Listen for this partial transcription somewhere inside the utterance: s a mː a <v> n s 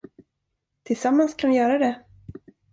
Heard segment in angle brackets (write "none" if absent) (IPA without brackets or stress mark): none